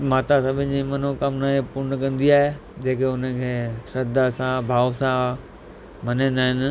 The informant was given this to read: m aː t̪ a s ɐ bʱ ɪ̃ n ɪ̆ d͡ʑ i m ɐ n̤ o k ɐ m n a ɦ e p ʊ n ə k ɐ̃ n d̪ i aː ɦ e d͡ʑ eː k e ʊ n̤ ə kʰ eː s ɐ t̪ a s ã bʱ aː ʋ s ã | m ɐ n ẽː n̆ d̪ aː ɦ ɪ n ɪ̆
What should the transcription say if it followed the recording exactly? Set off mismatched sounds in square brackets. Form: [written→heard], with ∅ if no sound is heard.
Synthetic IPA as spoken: m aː t̪ a s ɐ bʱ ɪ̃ n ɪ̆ d͡ʑ i m ɐ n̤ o k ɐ m n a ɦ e p ʊ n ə k ɐ̃ n d̪ i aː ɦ e d͡ʑ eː k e ʊ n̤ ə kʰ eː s ɐ [t̪→d̪] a s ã bʱ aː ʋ s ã | m ɐ n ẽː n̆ d̪ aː ɦ ɪ n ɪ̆